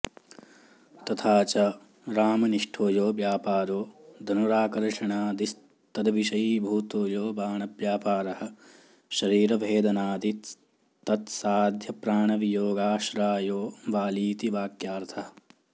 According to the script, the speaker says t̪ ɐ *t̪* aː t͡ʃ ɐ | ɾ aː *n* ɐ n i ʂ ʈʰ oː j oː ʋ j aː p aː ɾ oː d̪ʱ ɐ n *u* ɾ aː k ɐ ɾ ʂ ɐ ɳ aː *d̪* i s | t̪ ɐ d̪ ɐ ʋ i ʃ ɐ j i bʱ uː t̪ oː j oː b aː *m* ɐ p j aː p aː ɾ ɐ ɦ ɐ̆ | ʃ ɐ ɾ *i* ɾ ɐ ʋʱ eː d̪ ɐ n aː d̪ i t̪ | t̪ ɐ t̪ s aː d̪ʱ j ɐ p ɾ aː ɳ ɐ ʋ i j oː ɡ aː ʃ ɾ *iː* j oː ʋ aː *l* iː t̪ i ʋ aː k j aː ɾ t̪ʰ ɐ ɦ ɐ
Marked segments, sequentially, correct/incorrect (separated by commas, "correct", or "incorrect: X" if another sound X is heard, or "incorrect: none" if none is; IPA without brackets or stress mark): incorrect: t̪ʰ, incorrect: m, correct, correct, incorrect: ɳ, incorrect: iː, incorrect: aː, correct